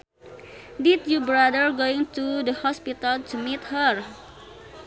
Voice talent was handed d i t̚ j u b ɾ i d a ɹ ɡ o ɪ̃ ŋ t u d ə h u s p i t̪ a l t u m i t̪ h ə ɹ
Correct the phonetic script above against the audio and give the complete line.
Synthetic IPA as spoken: d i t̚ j u b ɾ a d ə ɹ ɡ o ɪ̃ ŋ t u d ə h ɔ s p i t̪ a l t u m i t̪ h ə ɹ

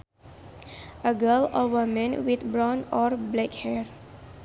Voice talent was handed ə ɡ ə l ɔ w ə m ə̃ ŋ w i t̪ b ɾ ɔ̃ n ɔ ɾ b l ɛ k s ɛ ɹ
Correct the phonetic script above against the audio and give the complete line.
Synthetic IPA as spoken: ə ɡ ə l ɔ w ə m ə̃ n w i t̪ b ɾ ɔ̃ n ɔ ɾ b l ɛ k h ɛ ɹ

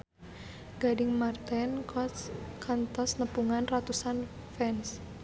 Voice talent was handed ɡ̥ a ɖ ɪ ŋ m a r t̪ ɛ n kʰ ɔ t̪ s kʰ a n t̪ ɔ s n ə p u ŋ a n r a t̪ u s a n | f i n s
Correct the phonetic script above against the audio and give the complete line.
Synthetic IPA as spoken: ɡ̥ a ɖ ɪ ŋ m a r t̪ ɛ n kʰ ɔ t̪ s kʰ a n t̪ ɔ s n ə p u ŋ a n r a t̪ u s a n | f ɛ n s

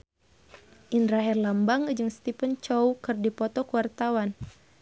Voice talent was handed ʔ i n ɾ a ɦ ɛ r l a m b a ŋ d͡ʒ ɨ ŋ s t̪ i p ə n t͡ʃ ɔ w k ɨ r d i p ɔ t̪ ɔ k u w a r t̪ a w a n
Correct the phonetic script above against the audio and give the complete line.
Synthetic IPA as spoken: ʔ i n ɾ a ɦ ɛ r l a m b a ŋ d͡ʒ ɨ ŋ s t̪ i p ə n t͡ʃ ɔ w k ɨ r d i p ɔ t̪ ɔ k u w a r t̪ a w a n

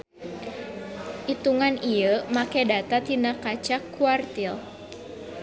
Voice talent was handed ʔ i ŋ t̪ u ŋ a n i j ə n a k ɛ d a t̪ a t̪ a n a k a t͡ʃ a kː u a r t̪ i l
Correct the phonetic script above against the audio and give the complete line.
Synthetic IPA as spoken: ʔ i t̪ u ŋ a n i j ə m a k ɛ d a t̪ a t̪ i n a k a t͡ʃ a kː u a r t̪ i l

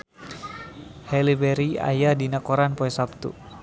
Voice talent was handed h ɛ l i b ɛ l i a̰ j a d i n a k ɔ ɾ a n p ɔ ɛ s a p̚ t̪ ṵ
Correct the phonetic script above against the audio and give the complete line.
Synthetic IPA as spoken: h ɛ l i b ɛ ɾ i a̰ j a d i n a k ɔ ɾ a n p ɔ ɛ s a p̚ t̪ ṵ

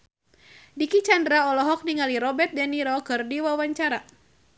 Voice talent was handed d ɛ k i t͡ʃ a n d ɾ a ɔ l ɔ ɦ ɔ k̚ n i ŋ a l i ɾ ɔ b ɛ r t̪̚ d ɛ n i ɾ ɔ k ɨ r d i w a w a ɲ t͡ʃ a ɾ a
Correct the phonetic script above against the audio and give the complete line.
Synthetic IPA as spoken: d i k i t͡ʃ a n d ɾ a ɔ l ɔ ɦ ɔ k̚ n i ŋ a l i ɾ ɔ b ɛ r t̪̚ d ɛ n i ɾ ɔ k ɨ r d i w a w a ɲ t͡ʃ a ɾ a

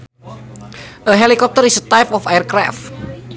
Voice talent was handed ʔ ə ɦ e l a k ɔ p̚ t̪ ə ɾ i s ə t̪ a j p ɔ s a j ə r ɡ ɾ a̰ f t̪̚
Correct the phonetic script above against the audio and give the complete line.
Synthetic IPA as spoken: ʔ ə ɦ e l i k ɔ p̚ t̪ ə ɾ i s ə t̪ a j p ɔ f a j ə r k ɾ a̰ f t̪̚

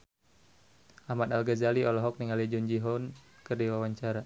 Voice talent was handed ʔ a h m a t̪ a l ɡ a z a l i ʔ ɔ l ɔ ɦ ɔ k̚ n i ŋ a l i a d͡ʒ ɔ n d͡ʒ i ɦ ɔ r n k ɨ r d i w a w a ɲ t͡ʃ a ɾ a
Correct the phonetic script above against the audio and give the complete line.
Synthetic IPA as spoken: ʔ a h m a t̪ a l ɡ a z a l i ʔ ɔ l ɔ ɦ ɔ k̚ n i ŋ a l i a d͡ʒ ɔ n d͡ʒ i ɦ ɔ n k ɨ r d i w a w a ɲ t͡ʃ a ɾ a

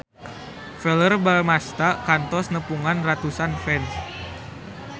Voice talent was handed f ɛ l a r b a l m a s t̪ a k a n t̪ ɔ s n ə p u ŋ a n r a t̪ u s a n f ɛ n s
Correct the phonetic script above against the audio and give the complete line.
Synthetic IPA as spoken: f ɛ l ə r b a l m a s t̪ a k a n t̪ ɔ s n ə p u ŋ a n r a t̪ u s a n f ɛ n s

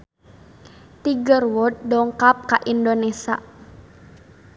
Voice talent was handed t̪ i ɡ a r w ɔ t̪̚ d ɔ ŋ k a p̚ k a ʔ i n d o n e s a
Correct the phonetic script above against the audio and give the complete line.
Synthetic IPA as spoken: t̪ i ɡ ə r w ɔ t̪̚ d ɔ ŋ k a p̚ k a ʔ i n d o n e s a

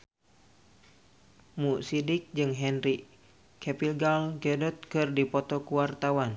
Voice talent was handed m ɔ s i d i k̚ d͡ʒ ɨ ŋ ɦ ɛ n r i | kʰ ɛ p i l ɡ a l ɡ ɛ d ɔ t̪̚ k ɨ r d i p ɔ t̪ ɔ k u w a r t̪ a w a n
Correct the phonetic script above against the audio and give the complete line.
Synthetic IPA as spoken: m u s i d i k̚ d͡ʒ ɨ ŋ ɦ ɛ n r i | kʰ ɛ p i l ɡ a l ɡ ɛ d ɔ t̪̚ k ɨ r d i p ɔ t̪ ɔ k u w a r t̪ a w a n

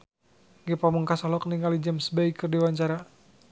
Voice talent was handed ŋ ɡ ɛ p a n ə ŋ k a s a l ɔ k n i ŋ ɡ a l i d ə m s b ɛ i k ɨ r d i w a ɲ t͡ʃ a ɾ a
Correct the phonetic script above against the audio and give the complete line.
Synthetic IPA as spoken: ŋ ɡ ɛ p a m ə ŋ k a s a l ɔ k n i ŋ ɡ a l i d͡ʒ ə m s b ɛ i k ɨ r d i w a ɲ t͡ʃ a ɾ a

